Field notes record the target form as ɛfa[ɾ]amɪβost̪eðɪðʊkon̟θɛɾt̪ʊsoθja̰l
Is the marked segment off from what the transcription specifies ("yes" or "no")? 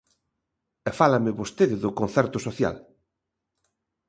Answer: yes